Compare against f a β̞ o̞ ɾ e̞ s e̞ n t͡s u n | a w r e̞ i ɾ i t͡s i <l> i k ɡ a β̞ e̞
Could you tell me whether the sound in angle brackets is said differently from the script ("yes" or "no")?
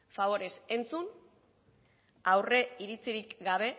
yes